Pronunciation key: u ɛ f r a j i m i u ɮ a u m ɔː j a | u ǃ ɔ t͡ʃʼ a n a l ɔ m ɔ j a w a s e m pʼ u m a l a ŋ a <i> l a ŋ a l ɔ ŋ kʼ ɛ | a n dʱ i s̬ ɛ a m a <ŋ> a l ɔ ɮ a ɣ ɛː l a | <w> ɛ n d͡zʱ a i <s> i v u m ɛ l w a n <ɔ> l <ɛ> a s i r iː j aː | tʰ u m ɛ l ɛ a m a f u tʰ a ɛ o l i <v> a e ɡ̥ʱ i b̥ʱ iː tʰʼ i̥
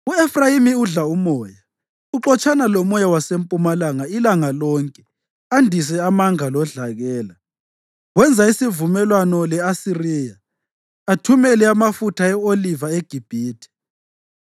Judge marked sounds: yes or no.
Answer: yes, yes, yes, yes, yes, yes, yes

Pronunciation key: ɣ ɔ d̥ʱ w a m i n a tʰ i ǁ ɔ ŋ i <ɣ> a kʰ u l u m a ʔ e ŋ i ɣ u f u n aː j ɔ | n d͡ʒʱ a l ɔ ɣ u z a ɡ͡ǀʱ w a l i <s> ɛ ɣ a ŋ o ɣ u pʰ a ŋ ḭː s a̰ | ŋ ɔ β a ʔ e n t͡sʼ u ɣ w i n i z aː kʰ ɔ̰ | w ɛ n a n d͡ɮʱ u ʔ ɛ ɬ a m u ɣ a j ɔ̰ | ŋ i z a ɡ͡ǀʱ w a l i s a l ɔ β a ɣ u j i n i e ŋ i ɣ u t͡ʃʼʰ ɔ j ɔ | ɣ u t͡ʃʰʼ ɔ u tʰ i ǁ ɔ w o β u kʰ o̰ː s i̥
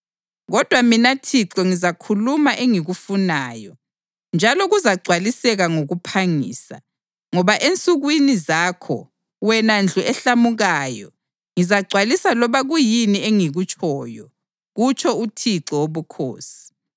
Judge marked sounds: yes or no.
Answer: no, yes

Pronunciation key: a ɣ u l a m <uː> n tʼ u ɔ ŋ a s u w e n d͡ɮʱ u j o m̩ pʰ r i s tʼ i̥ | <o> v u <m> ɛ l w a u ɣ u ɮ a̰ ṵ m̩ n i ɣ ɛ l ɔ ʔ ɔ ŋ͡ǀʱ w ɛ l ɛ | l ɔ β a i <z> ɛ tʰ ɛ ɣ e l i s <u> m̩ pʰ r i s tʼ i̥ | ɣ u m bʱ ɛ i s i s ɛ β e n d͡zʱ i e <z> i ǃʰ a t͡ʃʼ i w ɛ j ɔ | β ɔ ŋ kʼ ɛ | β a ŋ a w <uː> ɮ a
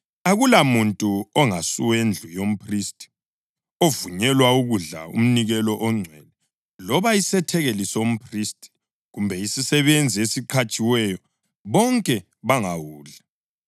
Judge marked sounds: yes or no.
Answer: no, yes, no, no, no, no, yes

